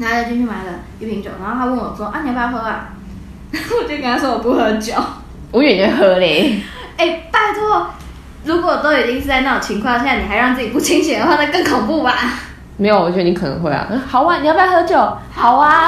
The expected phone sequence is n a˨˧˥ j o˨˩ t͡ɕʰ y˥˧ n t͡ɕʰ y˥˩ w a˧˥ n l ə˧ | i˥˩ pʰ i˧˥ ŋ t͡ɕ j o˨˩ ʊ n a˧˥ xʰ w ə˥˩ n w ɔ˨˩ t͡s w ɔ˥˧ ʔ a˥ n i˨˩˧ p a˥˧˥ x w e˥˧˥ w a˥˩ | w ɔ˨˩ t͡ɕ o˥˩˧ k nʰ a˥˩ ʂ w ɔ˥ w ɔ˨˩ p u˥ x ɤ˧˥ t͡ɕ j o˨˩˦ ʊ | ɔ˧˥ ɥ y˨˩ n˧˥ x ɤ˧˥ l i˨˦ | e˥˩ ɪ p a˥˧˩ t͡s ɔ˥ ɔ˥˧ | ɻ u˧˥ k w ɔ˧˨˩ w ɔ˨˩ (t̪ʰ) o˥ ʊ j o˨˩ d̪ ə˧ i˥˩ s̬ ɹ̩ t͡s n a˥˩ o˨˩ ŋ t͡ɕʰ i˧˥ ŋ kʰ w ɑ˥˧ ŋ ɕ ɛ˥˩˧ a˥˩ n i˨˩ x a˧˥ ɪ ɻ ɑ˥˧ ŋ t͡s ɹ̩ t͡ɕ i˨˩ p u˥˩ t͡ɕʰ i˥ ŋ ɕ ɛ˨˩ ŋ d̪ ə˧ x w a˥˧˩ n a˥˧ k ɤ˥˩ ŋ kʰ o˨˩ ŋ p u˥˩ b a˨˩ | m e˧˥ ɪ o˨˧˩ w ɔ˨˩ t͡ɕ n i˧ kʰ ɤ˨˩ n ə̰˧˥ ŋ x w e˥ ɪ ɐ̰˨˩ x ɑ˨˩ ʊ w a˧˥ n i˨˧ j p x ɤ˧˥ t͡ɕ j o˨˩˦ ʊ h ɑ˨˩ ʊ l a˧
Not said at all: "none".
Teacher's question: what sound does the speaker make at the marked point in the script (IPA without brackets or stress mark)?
t̪